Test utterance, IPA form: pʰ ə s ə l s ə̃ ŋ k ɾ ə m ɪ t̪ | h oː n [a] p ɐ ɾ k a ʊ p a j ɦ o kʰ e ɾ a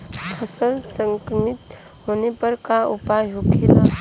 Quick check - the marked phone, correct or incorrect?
incorrect: e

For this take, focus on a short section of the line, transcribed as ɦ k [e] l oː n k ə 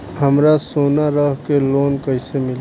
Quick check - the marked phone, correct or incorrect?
correct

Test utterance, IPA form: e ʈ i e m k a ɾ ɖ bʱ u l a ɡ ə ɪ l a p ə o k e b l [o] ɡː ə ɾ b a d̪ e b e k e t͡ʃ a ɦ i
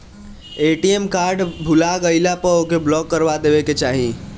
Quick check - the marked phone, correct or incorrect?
incorrect: ɔ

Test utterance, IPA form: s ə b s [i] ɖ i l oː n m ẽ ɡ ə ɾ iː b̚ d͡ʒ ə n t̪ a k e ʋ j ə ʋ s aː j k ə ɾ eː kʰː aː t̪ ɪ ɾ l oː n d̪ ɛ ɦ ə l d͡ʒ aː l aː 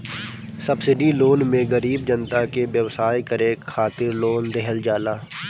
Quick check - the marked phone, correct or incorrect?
incorrect: ɪ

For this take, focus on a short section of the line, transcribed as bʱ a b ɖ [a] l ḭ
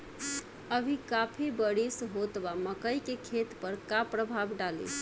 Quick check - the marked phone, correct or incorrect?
correct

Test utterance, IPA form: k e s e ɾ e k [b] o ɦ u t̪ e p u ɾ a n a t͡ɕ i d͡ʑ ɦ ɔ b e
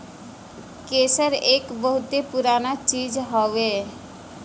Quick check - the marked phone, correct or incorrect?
correct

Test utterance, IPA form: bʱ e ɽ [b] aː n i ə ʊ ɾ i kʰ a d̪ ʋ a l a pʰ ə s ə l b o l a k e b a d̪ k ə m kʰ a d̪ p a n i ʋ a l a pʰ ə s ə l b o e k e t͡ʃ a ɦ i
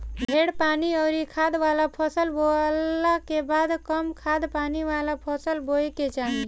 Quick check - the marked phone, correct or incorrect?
incorrect: p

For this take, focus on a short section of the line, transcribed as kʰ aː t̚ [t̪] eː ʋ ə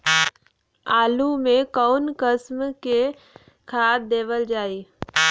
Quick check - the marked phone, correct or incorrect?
incorrect: d̪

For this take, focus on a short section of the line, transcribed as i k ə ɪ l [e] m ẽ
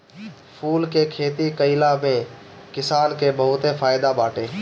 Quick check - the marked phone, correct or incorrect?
incorrect: a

